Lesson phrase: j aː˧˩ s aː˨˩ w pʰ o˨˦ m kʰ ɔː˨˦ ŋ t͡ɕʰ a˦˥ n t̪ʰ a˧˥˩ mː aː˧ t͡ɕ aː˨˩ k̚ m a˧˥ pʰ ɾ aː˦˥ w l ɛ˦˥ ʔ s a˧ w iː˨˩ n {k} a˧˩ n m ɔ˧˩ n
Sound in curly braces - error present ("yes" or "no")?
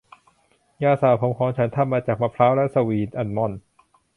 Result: yes